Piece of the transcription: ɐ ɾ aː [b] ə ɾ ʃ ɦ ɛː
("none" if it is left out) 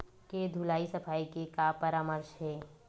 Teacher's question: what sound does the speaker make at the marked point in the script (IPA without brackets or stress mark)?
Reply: m